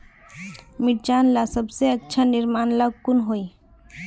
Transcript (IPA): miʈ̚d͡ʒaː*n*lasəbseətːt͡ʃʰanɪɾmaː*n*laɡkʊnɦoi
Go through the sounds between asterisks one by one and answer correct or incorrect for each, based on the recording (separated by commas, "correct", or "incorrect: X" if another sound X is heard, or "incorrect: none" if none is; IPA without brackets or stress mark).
correct, correct